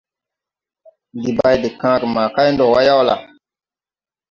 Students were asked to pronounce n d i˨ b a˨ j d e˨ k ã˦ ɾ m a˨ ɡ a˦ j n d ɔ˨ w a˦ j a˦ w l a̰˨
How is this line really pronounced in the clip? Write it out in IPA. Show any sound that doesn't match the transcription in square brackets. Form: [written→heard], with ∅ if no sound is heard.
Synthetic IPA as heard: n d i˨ b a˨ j d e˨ k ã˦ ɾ m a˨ [ɡ→k] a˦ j n d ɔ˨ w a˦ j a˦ w l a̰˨

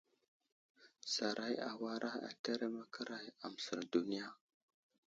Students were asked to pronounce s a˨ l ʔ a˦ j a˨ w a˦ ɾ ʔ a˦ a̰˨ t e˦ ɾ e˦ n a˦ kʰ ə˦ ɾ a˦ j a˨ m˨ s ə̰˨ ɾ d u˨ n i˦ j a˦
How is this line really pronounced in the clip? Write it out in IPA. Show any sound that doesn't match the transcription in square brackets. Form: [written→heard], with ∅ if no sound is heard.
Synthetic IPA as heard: s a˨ [l→ɾ] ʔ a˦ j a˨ w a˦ ɾ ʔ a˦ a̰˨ t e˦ ɾ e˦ [n→m] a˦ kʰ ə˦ ɾ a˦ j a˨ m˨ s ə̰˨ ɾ d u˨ n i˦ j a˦

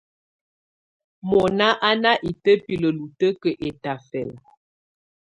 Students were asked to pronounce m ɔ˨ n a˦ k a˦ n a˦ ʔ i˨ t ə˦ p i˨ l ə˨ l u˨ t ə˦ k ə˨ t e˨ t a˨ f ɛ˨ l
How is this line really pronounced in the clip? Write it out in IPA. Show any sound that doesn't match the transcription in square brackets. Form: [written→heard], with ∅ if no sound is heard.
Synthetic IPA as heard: m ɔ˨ n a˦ [k→ʔ] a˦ n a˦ ʔ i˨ t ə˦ p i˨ l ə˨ l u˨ t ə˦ k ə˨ [t→ʔ] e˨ t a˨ f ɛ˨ l

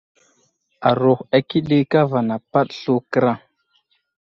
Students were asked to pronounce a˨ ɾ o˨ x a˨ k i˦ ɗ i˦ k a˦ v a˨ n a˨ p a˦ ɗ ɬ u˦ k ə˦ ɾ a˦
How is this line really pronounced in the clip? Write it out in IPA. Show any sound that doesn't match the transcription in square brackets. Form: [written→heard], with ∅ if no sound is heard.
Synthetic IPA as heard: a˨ ɾ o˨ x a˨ k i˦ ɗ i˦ k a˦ v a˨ n a˨ p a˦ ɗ ɬ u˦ k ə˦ ɾ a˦

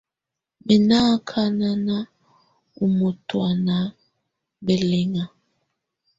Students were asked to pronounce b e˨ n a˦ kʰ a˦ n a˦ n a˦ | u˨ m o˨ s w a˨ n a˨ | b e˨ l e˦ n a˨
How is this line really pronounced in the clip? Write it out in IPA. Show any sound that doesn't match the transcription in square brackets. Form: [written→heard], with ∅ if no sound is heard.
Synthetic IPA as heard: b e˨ n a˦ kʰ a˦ n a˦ n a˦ | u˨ m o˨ [s→t] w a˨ n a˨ | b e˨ l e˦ [n→ŋ] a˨

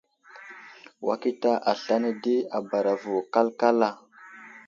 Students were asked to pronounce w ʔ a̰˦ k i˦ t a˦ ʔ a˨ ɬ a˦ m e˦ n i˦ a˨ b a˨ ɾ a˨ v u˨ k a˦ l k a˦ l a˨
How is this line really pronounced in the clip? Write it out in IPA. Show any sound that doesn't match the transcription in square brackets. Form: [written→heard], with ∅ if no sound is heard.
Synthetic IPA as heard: w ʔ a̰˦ k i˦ t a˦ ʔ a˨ ɬ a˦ [m→n] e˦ [n→d] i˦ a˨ b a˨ ɾ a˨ v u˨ k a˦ l k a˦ l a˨

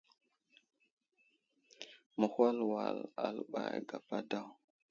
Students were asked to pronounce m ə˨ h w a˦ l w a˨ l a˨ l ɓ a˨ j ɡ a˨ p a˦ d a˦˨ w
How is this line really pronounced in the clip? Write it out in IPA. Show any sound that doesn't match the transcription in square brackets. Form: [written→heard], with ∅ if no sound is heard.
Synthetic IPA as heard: m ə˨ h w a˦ l w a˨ l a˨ l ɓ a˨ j ɡ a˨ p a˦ d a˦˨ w

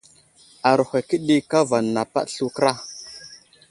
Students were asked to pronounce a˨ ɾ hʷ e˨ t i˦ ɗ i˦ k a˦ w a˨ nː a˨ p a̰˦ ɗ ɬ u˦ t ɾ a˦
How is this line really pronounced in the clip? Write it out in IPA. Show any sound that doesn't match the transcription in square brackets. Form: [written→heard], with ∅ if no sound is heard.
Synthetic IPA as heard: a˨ ɾ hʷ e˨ [t→k] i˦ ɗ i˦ k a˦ [w→v] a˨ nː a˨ p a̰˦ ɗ ɬ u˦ [t→k] ɾ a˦

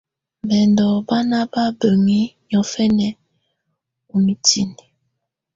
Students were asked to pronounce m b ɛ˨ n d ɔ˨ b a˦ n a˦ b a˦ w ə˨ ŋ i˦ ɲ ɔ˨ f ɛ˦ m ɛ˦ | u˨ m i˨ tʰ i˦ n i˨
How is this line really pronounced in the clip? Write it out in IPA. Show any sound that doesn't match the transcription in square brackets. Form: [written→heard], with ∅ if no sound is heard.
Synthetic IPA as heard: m b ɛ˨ n d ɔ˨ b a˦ n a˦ b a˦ [w→b] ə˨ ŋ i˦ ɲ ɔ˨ f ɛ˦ [m→n] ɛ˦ | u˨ m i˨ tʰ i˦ n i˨

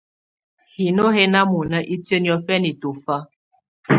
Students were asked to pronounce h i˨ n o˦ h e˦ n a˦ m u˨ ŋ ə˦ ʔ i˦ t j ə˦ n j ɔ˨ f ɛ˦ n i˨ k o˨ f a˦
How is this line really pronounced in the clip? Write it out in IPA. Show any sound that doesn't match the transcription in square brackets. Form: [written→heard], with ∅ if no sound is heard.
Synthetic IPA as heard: h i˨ n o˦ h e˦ n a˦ m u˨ [ŋ→n] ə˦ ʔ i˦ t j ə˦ n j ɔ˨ f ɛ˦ n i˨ [k→t] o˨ f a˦

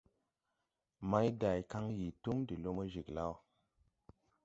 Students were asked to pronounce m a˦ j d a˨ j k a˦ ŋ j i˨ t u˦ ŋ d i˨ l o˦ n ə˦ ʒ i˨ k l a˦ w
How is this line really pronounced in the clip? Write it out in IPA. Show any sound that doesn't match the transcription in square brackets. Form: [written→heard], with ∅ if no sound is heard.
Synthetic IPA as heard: m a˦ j d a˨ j k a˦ ŋ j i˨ t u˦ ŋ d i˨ l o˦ [n→m] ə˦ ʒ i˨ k l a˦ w

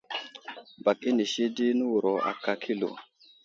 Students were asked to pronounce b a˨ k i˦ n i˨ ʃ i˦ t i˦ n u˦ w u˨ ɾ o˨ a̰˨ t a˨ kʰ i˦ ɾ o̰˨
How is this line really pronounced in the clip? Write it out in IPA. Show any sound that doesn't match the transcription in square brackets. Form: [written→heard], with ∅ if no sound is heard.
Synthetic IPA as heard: b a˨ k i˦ n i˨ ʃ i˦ [t→d] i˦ n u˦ w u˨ ɾ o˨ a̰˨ [t→k] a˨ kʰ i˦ [ɾ→l] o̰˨

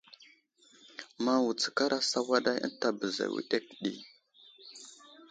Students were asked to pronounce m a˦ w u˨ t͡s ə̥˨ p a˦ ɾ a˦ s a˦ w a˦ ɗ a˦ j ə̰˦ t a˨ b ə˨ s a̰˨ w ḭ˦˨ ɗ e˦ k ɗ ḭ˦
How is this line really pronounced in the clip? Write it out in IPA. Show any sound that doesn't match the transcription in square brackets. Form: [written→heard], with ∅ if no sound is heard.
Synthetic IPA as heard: m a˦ w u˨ t͡s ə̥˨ [p→k] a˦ ɾ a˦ s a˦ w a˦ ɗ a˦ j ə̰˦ t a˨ b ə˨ [s→z] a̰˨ w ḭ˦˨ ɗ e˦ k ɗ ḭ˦

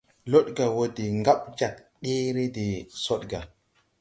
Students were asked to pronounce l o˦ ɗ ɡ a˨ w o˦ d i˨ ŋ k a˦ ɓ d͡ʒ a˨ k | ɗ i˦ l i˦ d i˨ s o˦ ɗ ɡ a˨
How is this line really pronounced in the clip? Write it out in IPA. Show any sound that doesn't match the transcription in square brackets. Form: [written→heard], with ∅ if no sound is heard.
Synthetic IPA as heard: l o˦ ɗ ɡ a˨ w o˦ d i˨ ŋ [k→ɡ] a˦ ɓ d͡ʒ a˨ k | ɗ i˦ [l→ɾ] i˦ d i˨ s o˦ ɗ ɡ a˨

